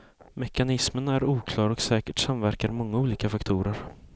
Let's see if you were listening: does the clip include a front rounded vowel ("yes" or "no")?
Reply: no